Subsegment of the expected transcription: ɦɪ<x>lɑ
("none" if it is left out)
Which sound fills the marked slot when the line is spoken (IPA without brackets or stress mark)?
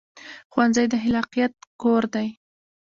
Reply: none